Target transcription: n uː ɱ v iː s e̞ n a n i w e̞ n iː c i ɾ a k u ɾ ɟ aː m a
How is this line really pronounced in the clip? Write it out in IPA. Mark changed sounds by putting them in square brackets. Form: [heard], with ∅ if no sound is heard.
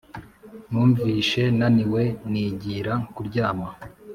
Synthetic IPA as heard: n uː ɱ v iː [ʃ] e̞ n a n i w e̞ n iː [ɟ] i ɾ a k u ɾ ɟ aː m a